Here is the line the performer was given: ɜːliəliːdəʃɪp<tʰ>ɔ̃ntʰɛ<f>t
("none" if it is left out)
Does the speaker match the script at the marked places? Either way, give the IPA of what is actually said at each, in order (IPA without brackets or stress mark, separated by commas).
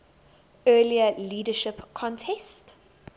kʰ, s